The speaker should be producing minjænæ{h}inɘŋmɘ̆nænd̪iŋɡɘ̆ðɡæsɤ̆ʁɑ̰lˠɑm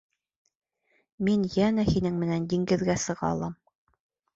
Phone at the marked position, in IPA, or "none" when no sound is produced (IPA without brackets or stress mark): h